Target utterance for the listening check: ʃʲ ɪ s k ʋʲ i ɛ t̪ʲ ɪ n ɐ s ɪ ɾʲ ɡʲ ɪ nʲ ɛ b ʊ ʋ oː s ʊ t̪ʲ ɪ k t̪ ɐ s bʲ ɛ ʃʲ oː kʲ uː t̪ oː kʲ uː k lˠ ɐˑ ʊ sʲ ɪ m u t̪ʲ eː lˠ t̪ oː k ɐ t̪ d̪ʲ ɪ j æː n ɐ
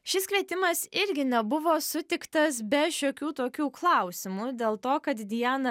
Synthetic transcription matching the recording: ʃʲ ɪ s k ʋʲ i ɛ t̪ʲ ɪ m ɐ s ɪ ɾʲ ɡʲ ɪ nʲ ɛ b ʊ ʋ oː s ʊ t̪ʲ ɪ k t̪ ɐ s bʲ ɛ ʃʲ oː kʲ uː t̪ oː kʲ uː k lˠ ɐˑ ʊ sʲ ɪ m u d̪ʲ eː lˠ t̪ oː k ɐ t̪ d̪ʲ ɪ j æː n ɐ